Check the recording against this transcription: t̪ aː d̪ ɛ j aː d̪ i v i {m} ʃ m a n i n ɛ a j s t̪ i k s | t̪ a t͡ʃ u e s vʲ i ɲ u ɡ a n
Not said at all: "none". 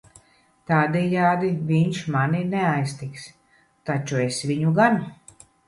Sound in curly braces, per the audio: ɲ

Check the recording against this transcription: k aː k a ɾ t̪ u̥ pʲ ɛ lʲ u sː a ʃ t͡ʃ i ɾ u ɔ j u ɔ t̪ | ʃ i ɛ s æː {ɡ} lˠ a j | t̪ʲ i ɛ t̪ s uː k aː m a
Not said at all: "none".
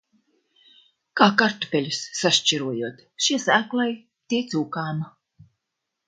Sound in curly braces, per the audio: k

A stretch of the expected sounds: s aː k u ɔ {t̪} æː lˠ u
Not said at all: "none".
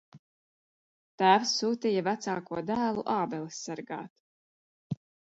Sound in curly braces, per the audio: d̪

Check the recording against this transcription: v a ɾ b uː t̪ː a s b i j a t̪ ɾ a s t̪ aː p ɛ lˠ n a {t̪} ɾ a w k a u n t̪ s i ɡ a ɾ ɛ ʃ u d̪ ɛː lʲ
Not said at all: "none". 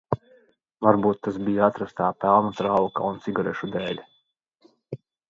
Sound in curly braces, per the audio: t̪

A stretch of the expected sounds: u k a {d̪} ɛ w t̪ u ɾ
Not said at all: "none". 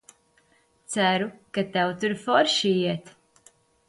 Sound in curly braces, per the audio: t̪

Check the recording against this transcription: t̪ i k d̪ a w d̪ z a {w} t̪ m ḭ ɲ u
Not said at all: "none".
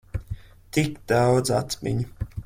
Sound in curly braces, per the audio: none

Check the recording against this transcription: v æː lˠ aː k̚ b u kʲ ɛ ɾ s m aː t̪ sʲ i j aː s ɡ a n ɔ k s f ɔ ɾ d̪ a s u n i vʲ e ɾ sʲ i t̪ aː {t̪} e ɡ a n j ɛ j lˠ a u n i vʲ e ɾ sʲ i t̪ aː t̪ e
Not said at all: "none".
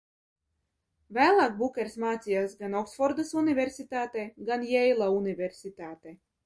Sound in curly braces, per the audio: t̪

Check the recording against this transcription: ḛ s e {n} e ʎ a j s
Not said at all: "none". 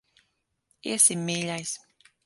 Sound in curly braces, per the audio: m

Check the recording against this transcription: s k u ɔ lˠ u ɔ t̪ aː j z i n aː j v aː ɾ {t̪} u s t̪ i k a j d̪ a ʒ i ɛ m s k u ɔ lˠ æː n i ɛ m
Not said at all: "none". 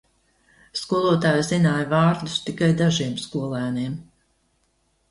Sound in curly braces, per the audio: d̪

